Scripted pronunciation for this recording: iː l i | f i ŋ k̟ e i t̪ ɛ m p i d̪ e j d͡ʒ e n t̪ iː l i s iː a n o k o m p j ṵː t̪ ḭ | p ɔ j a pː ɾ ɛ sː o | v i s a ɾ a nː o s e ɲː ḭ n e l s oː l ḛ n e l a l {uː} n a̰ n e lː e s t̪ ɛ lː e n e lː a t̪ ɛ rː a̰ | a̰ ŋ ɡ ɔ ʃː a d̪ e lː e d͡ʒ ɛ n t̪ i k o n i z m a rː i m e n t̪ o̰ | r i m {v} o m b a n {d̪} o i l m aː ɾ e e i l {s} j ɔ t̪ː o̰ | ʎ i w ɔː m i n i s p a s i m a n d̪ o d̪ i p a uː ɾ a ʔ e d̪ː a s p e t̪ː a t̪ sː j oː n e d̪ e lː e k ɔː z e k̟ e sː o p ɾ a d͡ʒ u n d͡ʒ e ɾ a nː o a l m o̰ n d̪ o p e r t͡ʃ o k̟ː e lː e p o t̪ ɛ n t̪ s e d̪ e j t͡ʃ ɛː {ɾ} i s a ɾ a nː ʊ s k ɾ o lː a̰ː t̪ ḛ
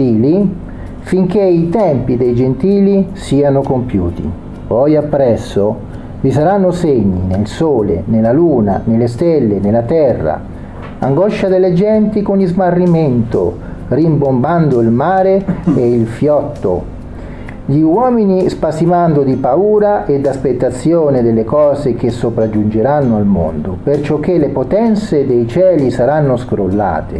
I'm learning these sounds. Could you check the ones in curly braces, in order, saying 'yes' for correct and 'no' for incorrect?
yes, no, yes, no, no

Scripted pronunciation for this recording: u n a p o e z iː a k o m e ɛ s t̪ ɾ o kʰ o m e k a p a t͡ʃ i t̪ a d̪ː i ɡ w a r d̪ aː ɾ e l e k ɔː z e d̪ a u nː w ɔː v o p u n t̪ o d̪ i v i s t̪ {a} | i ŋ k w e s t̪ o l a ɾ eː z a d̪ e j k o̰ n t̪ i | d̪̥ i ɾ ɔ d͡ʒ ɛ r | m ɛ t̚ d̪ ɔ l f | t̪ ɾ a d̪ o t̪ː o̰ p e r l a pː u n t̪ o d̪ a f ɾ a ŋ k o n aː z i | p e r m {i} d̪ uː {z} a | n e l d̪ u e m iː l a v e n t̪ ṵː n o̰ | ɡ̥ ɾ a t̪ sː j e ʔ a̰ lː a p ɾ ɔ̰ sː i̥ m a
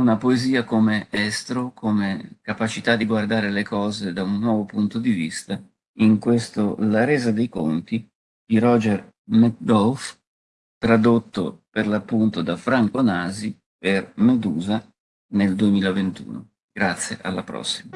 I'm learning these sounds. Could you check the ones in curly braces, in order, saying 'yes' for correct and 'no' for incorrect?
yes, no, yes

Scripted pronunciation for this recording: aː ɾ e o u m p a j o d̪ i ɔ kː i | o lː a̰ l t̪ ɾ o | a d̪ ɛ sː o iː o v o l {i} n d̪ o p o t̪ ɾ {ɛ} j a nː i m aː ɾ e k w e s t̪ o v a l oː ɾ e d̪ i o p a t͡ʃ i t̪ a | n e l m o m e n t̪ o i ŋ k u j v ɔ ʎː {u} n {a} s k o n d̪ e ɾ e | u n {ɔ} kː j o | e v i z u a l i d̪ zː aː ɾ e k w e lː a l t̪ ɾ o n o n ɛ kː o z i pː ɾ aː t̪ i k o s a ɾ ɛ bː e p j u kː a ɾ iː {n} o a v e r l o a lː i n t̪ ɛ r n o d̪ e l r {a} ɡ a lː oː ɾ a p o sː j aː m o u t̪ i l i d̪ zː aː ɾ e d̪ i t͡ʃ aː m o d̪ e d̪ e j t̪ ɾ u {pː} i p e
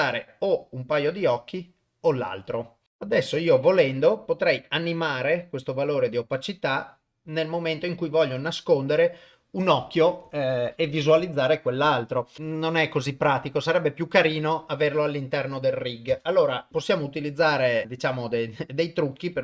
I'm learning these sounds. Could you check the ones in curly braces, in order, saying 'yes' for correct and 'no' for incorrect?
no, yes, no, yes, yes, yes, no, no

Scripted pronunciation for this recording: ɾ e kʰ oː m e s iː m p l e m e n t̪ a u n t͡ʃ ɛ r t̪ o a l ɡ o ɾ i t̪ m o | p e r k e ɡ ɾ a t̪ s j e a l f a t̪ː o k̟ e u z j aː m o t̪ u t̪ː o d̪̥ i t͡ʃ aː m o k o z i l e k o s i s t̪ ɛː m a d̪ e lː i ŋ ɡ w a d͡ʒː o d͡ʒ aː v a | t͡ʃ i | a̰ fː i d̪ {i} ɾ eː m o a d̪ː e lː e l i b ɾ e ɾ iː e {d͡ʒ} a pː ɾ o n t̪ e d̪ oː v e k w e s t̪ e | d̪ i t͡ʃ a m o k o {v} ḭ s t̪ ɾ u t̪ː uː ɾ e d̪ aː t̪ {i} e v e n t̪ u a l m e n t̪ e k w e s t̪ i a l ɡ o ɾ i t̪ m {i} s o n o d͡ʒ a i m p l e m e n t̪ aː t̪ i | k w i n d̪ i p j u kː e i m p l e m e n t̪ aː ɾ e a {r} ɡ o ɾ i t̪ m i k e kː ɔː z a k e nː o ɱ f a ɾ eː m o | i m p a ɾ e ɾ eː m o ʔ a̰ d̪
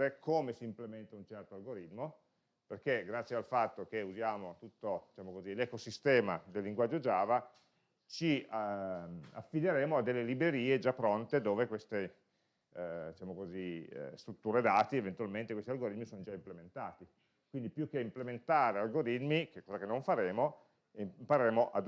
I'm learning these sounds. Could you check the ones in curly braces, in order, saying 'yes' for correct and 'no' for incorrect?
no, yes, no, yes, yes, no

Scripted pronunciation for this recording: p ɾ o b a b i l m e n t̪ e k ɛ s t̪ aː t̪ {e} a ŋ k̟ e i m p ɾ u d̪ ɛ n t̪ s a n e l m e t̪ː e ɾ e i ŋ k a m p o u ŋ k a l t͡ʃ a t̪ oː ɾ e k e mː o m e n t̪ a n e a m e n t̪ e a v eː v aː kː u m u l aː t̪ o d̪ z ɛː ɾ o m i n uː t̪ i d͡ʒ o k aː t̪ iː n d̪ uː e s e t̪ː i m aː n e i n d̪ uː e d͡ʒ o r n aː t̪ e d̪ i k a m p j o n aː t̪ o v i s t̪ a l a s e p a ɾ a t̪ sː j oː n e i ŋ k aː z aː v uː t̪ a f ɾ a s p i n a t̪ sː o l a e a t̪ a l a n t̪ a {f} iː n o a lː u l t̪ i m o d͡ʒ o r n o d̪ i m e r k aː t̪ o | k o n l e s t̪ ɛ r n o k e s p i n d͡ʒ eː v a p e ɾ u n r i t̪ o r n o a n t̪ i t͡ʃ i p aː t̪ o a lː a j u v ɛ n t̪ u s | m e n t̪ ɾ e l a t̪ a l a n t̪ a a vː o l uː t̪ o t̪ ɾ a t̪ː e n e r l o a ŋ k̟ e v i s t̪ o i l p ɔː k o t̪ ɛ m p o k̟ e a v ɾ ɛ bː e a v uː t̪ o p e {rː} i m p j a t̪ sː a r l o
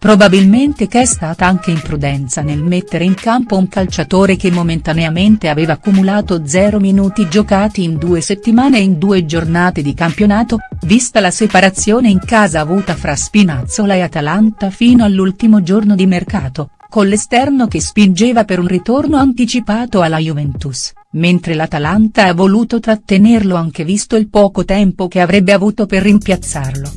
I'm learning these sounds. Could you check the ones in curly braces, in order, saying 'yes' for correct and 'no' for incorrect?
no, yes, yes

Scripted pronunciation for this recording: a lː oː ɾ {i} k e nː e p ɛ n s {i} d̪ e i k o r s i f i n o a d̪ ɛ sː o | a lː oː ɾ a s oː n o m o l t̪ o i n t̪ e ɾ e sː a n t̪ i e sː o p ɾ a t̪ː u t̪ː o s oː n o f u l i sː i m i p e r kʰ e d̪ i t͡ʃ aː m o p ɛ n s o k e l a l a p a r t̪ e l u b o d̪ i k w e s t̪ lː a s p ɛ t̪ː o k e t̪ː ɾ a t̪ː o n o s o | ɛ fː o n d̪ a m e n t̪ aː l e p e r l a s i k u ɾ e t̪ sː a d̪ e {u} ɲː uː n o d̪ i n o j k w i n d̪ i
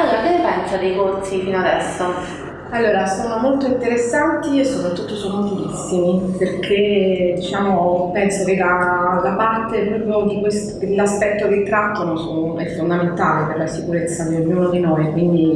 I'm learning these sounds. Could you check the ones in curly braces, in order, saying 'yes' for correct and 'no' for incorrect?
no, no, no

